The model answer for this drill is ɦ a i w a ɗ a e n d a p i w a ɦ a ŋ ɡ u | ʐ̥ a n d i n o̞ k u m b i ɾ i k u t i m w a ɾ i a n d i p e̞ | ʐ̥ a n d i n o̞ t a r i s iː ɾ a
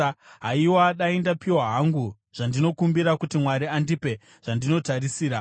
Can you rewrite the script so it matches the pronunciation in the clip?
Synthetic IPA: ɦ a i w a ɗ a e n d a p i w a ɦ a ŋ ɡ u | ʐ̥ a n d i n o̞ k u m b i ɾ a k u t i m w a ɾ i a n d i p e̞ | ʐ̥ a n d i n o̞ t a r i s iː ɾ a